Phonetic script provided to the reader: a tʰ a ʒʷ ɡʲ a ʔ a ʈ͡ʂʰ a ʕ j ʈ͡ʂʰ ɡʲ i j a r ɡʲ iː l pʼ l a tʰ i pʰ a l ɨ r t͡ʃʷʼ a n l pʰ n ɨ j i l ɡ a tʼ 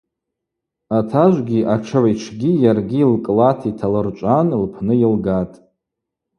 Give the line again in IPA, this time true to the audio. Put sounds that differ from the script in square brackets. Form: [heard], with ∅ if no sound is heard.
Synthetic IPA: a tʰ a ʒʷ ɡʲ [i] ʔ a ʈ͡ʂʰ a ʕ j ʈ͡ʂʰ ɡʲ i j a r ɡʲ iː l [kʼ] l a tʰ i [tʰ] a l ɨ r t͡ʃʷʼ a n l pʰ n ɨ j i l ɡ a tʼ